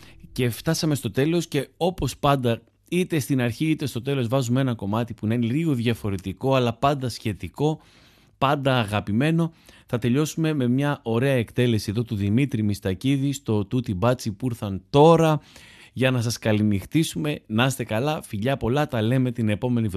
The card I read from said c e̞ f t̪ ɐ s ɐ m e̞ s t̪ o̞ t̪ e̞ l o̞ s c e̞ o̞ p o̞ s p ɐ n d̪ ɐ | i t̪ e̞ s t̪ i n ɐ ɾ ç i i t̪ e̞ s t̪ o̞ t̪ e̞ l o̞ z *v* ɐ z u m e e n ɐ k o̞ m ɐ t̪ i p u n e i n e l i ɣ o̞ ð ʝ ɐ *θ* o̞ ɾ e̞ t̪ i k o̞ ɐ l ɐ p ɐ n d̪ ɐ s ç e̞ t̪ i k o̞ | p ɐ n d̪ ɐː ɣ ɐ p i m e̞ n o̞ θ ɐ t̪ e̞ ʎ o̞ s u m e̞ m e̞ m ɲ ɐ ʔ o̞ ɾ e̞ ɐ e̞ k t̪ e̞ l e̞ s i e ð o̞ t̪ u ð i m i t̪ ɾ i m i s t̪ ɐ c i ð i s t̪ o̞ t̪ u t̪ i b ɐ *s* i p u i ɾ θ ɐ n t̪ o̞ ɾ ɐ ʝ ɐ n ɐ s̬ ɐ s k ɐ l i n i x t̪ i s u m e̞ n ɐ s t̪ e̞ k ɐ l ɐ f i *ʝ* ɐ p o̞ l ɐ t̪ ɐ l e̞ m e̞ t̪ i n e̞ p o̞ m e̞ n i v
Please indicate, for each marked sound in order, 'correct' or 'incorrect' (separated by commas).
correct, incorrect, incorrect, incorrect